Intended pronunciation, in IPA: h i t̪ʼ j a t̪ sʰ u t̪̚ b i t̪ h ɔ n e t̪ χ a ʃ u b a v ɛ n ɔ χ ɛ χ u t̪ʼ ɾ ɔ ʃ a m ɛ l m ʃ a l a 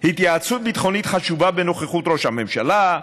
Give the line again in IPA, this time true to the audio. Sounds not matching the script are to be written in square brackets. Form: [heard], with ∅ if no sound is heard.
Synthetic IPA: h i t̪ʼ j a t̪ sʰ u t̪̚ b i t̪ [χ] ɔ n [i] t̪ χ a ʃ u b a [b] ɛ n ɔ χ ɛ χ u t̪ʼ ɾ ɔ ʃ a m ɛ [∅] m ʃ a l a